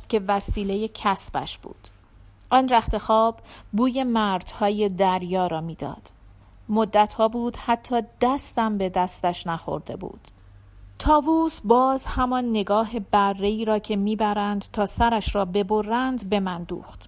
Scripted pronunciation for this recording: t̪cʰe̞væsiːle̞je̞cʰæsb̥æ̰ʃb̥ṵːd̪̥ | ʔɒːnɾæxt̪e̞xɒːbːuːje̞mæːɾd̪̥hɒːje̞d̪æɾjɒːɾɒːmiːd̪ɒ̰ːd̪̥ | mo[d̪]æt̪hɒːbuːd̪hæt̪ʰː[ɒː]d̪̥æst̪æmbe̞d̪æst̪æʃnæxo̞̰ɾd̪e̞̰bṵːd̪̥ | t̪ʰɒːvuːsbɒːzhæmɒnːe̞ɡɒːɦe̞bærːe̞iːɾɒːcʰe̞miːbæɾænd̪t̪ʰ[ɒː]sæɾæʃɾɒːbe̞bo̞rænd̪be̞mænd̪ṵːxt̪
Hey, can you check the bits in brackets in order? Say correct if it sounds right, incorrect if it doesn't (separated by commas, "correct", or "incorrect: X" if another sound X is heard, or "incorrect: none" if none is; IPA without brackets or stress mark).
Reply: incorrect: d̪ː, correct, correct